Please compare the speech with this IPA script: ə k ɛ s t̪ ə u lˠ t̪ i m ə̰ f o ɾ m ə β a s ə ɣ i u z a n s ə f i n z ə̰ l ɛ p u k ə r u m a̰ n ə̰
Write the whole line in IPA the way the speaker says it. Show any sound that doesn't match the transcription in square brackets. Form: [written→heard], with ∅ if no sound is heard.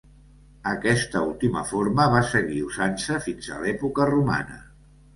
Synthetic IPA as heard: ə k ɛ s t̪ ə u lˠ t̪ i m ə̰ f o ɾ m ə β a s ə ɣ i u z a n s ə f i n z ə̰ l ɛ p u k ə r u m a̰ n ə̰